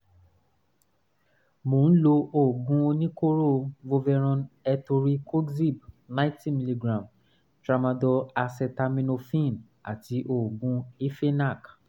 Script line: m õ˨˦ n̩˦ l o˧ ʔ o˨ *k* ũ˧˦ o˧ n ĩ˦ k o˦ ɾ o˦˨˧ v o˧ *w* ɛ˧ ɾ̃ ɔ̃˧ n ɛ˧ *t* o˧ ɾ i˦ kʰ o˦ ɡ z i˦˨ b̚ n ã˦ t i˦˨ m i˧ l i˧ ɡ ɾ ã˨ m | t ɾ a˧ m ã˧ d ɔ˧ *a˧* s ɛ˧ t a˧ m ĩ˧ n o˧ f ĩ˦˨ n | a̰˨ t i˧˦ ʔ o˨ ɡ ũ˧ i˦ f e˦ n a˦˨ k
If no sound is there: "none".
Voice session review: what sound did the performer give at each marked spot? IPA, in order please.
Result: ɡ, v, t, a˧

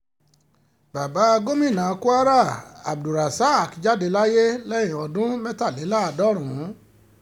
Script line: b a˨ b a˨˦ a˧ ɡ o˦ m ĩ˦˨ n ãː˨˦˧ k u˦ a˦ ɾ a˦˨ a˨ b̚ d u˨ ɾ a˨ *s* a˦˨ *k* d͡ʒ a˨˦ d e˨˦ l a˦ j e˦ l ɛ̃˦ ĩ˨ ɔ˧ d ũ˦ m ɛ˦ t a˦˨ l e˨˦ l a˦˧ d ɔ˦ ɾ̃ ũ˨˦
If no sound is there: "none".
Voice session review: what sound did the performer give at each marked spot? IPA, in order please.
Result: s, k

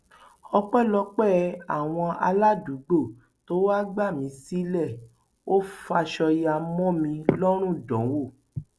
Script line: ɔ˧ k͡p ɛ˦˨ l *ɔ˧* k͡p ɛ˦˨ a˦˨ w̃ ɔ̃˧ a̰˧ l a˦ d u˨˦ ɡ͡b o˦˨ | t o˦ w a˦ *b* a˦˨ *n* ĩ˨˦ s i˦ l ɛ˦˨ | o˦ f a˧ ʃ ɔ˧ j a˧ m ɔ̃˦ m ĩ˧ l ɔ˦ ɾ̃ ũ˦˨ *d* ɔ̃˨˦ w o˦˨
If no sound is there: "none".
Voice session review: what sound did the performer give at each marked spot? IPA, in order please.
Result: ɔ˧, ɡ͡b, m, d

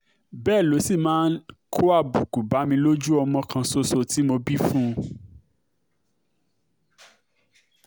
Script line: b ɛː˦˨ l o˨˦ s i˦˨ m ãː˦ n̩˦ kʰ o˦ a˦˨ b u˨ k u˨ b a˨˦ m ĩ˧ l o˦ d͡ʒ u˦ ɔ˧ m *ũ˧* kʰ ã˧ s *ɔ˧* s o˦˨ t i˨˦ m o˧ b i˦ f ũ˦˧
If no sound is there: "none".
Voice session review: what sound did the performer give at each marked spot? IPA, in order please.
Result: ɔ̃˧, o˧

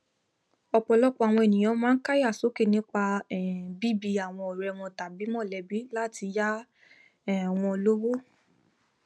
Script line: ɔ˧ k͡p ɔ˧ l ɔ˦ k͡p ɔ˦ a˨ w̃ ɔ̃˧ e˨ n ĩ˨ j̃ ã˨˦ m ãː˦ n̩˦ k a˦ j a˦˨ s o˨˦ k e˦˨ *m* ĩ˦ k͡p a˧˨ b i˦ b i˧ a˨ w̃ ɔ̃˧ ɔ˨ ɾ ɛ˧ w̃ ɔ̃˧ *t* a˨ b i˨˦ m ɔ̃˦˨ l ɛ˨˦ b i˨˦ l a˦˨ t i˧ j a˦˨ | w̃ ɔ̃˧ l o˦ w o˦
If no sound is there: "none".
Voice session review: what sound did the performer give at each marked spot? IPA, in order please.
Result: n, t

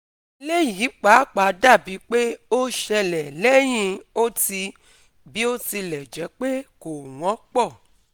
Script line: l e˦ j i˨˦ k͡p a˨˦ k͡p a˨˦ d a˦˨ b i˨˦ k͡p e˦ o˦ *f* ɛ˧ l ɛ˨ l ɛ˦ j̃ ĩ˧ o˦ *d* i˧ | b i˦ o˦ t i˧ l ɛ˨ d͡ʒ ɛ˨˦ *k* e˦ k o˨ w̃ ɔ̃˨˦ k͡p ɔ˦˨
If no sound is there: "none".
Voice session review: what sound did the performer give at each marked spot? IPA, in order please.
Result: ʃ, t, k͡p

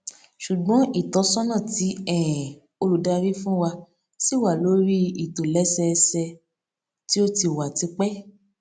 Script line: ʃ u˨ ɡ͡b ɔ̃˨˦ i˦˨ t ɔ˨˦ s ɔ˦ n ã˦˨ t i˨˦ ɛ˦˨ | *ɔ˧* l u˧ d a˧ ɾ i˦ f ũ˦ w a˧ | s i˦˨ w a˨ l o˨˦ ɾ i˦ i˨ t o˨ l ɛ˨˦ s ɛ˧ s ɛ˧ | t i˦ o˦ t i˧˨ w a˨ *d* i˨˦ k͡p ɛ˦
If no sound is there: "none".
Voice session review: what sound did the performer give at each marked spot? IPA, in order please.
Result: o˧, t

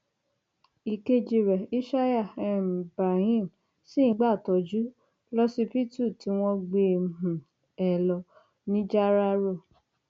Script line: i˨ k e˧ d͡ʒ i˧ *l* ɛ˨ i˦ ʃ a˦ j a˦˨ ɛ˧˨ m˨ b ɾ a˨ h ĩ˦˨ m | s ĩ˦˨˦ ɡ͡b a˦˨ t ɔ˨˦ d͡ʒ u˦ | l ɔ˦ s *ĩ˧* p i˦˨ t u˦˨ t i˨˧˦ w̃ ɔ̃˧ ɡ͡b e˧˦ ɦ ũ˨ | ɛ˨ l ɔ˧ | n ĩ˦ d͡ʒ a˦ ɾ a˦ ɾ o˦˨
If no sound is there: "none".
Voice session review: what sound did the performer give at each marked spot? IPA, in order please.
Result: ɾ, i˧

